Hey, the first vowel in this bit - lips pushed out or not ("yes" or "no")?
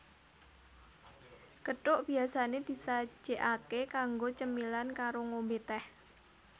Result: no